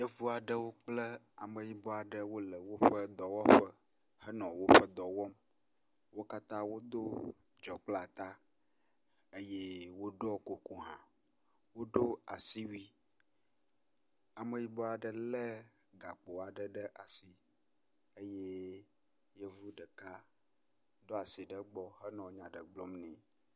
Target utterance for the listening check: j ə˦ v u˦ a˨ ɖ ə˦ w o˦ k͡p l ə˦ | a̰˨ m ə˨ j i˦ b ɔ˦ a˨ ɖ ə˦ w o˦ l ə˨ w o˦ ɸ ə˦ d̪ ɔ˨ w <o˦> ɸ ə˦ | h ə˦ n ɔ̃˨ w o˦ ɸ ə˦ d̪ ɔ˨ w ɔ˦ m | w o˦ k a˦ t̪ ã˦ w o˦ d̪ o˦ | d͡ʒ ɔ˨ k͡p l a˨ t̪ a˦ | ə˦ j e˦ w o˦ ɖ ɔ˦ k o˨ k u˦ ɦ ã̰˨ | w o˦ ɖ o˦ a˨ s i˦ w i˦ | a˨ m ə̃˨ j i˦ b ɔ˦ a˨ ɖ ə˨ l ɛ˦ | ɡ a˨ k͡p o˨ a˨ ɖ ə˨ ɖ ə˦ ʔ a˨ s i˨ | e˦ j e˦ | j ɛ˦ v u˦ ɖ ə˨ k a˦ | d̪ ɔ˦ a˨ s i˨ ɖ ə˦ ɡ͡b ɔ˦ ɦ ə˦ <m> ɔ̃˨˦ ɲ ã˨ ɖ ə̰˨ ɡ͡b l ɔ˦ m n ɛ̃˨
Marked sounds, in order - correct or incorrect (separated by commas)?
incorrect, incorrect